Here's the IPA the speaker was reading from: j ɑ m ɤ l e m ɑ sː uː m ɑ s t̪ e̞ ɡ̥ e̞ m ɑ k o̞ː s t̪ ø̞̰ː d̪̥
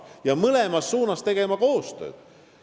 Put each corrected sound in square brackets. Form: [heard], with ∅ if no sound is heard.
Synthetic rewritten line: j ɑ m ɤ l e m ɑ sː uː [n] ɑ s t̪ e̞ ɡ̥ e̞ m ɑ k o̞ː s t̪ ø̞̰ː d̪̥

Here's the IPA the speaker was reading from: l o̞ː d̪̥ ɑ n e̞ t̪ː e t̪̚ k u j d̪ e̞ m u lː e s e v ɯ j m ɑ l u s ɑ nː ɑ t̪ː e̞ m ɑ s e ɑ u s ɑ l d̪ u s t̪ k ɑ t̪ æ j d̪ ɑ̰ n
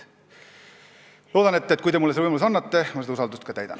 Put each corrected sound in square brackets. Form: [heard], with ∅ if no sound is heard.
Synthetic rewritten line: l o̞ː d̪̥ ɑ n e̞ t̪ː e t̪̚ k u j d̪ e̞ m u lː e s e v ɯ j m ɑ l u s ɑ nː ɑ t̪ː e̞ m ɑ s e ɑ u s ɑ l d̪ u s t̪ k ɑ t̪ æ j d̪ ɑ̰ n

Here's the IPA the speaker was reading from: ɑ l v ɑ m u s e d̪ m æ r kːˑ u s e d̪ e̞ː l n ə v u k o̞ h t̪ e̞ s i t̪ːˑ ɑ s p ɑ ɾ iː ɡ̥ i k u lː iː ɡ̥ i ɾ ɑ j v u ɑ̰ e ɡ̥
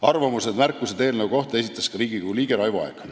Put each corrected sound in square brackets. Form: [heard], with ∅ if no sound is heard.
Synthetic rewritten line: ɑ [r] v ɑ m u s e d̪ m æ r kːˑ u s e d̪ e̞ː l n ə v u k o̞ h t̪ e̞ s i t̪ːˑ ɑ s [k] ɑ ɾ iː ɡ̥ i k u [l] iː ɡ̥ [e] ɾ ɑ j v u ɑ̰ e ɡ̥

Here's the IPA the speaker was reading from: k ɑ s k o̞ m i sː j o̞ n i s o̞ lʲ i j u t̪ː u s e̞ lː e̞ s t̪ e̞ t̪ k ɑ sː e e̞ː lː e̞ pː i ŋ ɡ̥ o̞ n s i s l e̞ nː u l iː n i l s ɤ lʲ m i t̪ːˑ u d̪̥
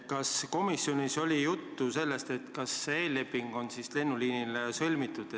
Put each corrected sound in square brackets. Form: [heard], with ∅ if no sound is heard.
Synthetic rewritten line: k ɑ s k o̞ m i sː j o̞ n i s o̞ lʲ i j u t̪ː u s e̞ lː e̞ s t̪ e̞ t̪ k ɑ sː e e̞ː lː e̞ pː i ŋ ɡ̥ o̞ n s i s l e̞ nː u l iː n i l s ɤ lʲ m i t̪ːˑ u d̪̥

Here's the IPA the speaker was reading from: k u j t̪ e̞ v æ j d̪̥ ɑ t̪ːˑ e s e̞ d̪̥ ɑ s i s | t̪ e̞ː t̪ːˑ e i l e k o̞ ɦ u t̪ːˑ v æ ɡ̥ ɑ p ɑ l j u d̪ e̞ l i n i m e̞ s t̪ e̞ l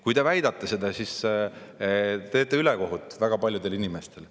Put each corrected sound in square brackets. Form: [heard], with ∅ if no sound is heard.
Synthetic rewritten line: k u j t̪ e̞ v æ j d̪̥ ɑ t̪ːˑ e s e̞ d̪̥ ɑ s i s | t̪ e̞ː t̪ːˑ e [y] l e k o̞ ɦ u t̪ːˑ v æ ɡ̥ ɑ p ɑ l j u d̪ e̞ l i n i m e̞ s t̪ e̞ l

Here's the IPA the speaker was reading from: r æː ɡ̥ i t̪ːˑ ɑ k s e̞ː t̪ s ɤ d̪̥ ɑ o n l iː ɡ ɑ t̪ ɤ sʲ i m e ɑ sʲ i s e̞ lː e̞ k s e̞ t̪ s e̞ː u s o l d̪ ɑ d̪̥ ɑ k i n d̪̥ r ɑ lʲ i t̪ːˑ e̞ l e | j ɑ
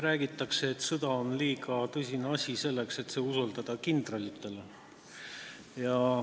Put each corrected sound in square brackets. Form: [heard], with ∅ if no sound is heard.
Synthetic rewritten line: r æː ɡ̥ i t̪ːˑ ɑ k s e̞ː t̪ s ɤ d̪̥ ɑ o n l iː ɡ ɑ t̪ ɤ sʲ i [n] e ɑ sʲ i s e̞ lː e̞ k s e̞ t̪ s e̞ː u s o l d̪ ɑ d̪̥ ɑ k i n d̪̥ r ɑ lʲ i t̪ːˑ e̞ l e | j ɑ

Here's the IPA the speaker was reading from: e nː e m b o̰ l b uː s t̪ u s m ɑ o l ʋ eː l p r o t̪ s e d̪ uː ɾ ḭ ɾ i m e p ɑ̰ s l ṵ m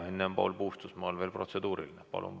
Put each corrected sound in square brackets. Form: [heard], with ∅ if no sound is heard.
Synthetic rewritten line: e nː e m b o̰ l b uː s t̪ u s m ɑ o l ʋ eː l p r o t̪ s e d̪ uː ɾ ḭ [l] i [n] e p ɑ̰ [∅] l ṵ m

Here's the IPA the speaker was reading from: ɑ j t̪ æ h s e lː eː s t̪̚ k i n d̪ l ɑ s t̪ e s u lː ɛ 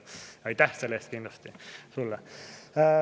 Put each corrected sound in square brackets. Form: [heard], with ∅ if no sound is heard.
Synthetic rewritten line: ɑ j t̪ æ h s e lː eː s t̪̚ k i n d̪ l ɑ s t̪ [i] s u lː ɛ

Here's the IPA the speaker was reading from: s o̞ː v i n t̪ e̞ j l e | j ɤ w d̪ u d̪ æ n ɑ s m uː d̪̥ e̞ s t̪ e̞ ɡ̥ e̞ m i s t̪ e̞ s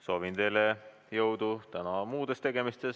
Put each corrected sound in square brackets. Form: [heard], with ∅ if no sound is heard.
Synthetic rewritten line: s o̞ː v i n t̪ e̞ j l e | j ɤ w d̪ u [t̪] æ n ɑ [∅] m uː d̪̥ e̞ s t̪ e̞ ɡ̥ e̞ m i s t̪ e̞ s

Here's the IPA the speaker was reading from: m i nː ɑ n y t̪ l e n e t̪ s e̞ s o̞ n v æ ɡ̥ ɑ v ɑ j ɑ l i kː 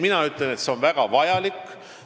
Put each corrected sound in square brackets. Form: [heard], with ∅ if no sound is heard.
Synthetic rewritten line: m i [n] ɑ [∅] y t̪ l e n e t̪ s e̞ [∅] o̞ n v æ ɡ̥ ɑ v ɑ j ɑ l i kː

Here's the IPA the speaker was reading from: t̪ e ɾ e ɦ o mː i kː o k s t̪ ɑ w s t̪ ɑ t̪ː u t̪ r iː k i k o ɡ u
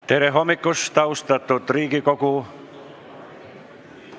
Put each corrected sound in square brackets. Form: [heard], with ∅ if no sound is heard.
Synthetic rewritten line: t̪ e ɾ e ɦ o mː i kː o [∅] s t̪ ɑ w s t̪ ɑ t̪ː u t̪ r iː k i k o [k] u

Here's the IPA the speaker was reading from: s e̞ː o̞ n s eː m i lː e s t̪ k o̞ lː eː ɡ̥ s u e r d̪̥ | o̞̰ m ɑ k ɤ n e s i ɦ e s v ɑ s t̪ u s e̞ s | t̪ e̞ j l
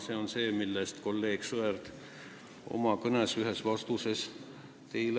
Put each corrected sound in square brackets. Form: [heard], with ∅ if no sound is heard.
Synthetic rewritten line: s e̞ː o̞ n s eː m i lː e s t̪ k o̞ lː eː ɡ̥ s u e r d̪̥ | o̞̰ m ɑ k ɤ n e s [y] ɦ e s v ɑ s t̪ u s e̞ s | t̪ e̞ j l

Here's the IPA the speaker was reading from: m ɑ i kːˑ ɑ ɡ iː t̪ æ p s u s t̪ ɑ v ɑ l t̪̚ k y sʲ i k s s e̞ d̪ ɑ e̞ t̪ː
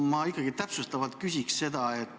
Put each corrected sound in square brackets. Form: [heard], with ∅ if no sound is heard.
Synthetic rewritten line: m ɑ i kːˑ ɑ ɡ [i] t̪ æ p s u s t̪ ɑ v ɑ l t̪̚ k y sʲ i k s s e̞ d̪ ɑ e̞ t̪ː

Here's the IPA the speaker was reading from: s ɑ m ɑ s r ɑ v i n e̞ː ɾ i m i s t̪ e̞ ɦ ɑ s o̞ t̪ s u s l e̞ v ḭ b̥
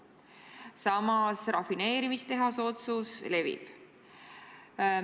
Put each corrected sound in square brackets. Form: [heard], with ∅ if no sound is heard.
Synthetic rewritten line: s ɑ m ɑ s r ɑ [f] i n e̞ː ɾ i m i s t̪ e̞ ɦ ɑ s o̞ t̪ s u s l e̞ v ḭ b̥

